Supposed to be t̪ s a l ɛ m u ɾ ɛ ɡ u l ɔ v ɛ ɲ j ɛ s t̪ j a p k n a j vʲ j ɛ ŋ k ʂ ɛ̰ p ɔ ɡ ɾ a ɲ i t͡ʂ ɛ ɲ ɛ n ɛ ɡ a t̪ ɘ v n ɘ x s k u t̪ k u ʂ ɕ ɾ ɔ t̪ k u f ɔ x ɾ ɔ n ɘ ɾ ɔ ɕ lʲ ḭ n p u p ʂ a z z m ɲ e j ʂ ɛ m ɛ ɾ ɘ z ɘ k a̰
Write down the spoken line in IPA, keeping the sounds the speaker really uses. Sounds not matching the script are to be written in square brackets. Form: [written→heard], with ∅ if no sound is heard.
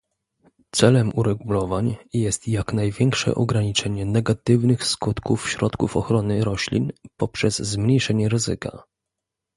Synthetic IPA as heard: t̪ s [a→ɛ] l ɛ m u ɾ ɛ ɡ u l ɔ v [ɛ→a] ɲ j ɛ s t̪ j a [p→∅] k n a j vʲ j ɛ ŋ k ʂ ɛ̰ [p→ʔ] ɔ ɡ ɾ a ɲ i t͡ʂ ɛ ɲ ɛ n ɛ ɡ a t̪ ɘ v n ɘ x s k u t̪ k u [ʂ→f] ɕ ɾ ɔ t̪ k u f ɔ x ɾ ɔ n ɘ ɾ ɔ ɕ lʲ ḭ n p [u→ɔ] p ʂ [a→ɛ] z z m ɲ e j ʂ ɛ [m→ɲ] ɛ ɾ ɘ z ɘ k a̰

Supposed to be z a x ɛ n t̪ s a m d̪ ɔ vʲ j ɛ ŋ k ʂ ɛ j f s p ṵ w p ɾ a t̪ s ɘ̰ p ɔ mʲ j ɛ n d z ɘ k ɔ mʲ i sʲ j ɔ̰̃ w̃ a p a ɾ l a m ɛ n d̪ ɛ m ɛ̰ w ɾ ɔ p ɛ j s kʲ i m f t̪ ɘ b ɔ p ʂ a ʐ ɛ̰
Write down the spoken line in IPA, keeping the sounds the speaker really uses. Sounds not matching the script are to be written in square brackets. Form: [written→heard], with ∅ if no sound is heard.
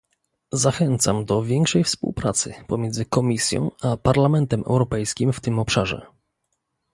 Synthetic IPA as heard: z a x ɛ n t̪ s a m d̪ ɔ vʲ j ɛ ŋ k ʂ ɛ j f s p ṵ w p ɾ a t̪ s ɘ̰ p ɔ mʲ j ɛ n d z ɘ k ɔ mʲ i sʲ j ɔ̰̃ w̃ a p a ɾ l a m ɛ n [d̪→t̪] ɛ m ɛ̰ w ɾ ɔ p ɛ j s kʲ i m f t̪ ɘ [b→m] ɔ p ʂ a ʐ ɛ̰

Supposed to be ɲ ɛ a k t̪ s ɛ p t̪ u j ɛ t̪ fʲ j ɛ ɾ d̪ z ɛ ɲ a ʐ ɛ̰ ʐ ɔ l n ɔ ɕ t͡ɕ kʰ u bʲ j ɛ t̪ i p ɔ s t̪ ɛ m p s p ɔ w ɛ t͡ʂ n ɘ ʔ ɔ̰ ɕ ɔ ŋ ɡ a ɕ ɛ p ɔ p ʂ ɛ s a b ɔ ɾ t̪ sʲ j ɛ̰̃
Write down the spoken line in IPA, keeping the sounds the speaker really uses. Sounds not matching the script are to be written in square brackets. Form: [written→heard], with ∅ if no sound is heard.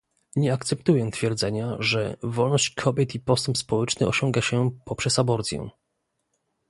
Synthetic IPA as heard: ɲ ɛ a k t̪ s ɛ p t̪ u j ɛ t̪ fʲ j ɛ ɾ d̪ z ɛ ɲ a ʐ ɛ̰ [ʐ→v] ɔ l n ɔ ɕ t͡ɕ kʰ [u→ɔ] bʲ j ɛ t̪ i p ɔ s t̪ ɛ m p s p ɔ w ɛ t͡ʂ n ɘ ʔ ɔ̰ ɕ ɔ ŋ ɡ a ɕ ɛ p ɔ p ʂ ɛ s a b ɔ ɾ t̪ sʲ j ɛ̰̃

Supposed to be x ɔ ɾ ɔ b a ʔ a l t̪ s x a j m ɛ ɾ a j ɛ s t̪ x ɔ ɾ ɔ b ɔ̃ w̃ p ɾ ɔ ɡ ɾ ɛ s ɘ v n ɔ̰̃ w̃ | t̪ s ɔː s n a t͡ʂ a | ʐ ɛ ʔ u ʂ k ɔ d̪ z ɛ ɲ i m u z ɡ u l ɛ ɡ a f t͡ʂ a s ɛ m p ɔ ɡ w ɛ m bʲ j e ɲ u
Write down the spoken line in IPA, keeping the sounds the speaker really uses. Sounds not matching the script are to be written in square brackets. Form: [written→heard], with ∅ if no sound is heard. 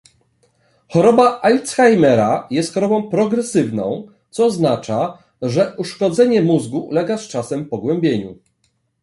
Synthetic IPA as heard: x ɔ ɾ ɔ b a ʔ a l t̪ s x a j m ɛ ɾ a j ɛ s t̪ x ɔ ɾ ɔ b ɔ̃ w̃ p ɾ ɔ ɡ ɾ ɛ s ɘ v n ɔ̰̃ w̃ | t̪ s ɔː [s→z] n a t͡ʂ a | ʐ ɛ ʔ u ʂ k ɔ d̪ z ɛ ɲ [i→ɛ] m u z ɡ u l ɛ ɡ a [f→s] t͡ʂ a s ɛ m p ɔ ɡ w ɛ m bʲ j e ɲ u

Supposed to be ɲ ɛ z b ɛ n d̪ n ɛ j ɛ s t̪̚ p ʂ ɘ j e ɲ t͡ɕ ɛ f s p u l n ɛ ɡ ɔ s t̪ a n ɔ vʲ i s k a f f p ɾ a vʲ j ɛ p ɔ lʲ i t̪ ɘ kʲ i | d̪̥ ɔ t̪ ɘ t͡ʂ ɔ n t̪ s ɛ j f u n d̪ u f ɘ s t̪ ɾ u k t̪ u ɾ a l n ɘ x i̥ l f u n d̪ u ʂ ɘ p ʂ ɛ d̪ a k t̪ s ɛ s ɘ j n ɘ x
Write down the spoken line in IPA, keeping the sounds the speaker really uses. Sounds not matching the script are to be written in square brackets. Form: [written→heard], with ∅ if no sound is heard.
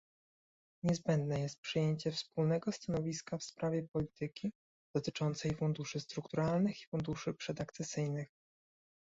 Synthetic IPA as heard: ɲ ɛ z b ɛ n d̪ n ɛ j ɛ s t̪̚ p ʂ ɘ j e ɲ t͡ɕ ɛ f s p u l n ɛ ɡ ɔ s t̪ a n ɔ vʲ i s k a f [f→s] p ɾ a vʲ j ɛ p ɔ lʲ i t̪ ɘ kʲ i | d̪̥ ɔ t̪ ɘ t͡ʂ ɔ n t̪ s ɛ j f u n d̪ u [f→ʂ] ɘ s t̪ ɾ u k t̪ u ɾ a l n ɘ x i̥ [l→∅] f u n d̪ u ʂ ɘ p ʂ ɛ d̪ a k t̪ s ɛ s ɘ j n ɘ x

